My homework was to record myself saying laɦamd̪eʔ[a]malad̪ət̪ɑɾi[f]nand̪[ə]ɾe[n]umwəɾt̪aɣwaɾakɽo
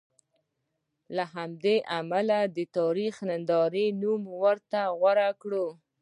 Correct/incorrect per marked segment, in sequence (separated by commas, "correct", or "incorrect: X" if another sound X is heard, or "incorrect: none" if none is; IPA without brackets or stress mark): correct, incorrect: x, incorrect: ɑ, correct